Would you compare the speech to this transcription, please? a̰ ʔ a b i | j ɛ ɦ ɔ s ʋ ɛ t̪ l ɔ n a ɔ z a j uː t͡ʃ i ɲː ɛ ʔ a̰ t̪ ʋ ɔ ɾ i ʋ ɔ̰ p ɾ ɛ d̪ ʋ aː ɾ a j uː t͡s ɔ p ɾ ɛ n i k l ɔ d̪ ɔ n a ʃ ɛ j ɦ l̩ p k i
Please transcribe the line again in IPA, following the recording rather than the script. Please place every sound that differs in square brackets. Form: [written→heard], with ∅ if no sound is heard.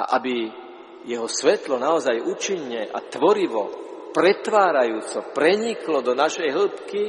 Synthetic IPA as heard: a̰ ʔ a b i | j ɛ ɦ ɔ s ʋ ɛ t̪ l ɔ n a ɔ z a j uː t͡ʃ i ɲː ɛ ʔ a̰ t̪ ʋ ɔ ɾ i ʋ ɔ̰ p ɾ ɛ [d̪→t̪] ʋ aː ɾ a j uː t͡s ɔ p ɾ ɛ [n→ɲ] i k l ɔ d̪ ɔ n a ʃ ɛ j ɦ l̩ p k i